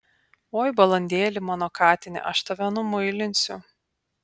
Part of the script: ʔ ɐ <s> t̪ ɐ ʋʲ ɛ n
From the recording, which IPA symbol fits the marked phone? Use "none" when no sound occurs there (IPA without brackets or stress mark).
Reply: ʃ